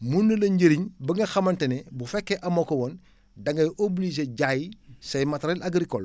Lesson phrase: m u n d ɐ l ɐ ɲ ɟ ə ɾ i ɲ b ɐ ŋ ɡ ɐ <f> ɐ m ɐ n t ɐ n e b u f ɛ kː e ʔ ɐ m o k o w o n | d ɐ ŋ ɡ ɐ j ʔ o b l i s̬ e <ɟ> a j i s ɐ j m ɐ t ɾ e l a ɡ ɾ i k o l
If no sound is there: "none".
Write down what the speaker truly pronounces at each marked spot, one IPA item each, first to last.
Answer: x, ɟ

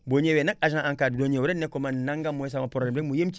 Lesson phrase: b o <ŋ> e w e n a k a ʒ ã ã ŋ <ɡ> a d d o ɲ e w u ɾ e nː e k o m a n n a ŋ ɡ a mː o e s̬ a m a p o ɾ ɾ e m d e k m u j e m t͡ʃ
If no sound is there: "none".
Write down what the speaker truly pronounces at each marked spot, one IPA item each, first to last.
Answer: ɲ, k

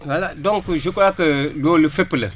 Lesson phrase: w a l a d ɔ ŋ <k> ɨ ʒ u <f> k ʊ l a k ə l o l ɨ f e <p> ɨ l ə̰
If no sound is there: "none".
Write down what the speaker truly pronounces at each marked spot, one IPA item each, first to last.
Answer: k, none, p

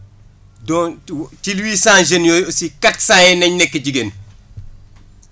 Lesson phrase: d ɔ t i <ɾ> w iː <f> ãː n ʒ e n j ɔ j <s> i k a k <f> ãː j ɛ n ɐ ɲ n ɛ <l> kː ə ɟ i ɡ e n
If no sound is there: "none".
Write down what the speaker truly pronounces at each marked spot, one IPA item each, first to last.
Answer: l, s, s, s, none

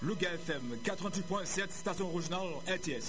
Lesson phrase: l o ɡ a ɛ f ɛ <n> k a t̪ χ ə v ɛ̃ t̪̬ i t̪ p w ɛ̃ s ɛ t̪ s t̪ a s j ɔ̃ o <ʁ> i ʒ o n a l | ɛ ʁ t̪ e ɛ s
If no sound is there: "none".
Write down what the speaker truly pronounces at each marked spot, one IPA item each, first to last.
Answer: m, ʁ

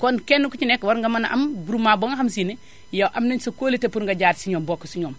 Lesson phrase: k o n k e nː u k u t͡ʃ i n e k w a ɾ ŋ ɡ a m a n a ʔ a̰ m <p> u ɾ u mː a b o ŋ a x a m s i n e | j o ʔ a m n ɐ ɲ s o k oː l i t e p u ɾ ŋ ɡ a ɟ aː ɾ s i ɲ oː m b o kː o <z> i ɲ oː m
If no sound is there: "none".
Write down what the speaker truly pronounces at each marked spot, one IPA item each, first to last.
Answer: b, s

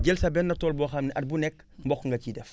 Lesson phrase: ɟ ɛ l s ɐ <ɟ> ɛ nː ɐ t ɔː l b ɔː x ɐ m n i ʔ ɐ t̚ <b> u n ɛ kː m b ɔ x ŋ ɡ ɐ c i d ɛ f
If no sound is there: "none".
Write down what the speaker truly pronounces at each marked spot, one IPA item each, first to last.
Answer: b, b

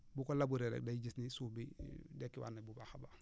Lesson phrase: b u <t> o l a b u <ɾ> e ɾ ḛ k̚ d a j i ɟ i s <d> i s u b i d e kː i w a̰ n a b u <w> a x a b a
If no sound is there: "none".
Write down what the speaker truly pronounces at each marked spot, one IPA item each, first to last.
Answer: k, ɾ, n, b

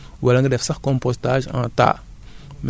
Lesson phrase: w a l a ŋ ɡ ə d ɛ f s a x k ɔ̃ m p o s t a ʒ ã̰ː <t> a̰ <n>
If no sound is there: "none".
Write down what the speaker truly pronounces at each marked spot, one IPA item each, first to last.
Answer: t, m

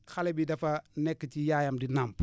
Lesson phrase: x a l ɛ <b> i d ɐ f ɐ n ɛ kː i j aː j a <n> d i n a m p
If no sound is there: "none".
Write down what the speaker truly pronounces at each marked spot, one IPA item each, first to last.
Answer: b, m

